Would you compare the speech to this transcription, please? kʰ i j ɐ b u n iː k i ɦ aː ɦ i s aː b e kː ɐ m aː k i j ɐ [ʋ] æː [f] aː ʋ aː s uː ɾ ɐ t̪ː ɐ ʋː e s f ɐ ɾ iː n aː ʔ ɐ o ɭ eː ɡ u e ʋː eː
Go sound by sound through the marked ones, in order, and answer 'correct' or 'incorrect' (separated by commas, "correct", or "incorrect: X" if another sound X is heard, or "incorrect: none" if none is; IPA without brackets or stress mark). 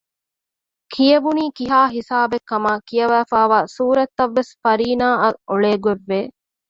correct, correct